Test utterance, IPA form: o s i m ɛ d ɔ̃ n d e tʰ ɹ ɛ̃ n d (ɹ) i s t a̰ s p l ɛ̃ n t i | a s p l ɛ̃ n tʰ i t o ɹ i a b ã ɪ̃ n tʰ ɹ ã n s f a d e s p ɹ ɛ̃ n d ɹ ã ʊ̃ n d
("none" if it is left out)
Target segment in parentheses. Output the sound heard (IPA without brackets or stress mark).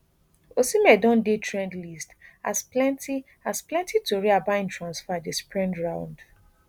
l